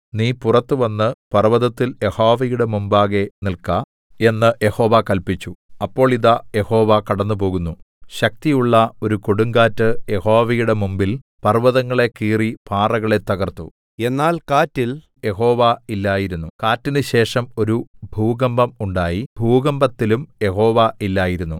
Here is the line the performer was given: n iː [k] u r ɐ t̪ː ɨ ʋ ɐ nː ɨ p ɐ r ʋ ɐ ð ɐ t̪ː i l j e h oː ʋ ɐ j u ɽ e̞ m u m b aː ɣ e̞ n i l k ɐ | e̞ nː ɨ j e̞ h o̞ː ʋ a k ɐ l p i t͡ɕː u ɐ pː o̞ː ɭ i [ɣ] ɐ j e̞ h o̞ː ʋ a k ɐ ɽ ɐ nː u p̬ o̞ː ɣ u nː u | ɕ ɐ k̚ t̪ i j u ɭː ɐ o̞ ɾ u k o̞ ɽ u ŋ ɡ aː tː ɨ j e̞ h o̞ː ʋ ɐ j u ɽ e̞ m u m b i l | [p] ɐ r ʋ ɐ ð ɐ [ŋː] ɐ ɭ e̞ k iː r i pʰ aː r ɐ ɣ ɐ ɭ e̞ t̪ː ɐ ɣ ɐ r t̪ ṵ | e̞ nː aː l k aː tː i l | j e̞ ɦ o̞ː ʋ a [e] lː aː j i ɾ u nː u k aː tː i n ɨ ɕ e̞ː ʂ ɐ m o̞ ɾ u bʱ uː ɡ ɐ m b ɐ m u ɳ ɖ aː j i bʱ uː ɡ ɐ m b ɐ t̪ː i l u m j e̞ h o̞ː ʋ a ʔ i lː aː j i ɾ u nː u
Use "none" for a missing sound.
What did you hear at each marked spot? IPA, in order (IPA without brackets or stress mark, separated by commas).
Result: p, ð, p, ŋː, i